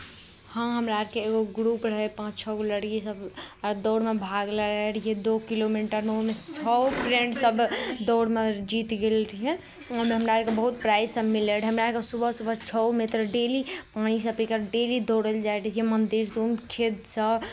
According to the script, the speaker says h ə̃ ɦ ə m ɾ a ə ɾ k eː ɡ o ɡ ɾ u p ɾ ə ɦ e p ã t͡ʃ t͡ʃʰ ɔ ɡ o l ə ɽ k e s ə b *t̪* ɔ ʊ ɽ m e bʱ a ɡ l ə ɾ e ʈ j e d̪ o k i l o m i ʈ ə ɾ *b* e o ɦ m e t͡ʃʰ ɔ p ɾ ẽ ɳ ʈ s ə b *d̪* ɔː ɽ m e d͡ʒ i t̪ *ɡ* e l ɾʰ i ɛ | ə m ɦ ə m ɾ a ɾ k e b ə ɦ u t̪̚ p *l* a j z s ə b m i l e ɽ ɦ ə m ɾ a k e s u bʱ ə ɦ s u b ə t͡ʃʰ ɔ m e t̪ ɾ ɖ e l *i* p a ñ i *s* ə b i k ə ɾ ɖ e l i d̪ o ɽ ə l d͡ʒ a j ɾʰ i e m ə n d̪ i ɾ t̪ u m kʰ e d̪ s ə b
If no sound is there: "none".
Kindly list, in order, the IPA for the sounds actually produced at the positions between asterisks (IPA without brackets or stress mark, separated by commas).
d̪, m, d̪, ɡ, ɾ, i, s